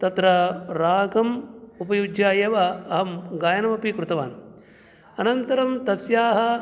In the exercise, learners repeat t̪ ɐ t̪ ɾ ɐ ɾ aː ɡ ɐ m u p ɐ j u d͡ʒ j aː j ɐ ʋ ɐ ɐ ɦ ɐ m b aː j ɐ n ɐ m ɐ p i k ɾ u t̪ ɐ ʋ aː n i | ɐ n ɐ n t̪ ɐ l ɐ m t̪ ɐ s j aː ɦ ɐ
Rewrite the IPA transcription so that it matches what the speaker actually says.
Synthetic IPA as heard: t̪ ɐ t̪ ɾ ɐ ɾ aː ɡ ɐ m u p ɐ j u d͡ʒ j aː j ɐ ʋ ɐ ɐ ɦ ɐ m ɡ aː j ɐ n ɐ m ɐ p i k ɾ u t̪ ɐ ʋ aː n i | ɐ n ɐ n t̪ ɐ ɾ ɐ m t̪ ɐ s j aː ɦ ɐ